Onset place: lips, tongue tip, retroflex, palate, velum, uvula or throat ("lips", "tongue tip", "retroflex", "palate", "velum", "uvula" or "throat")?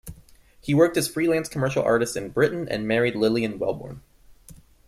throat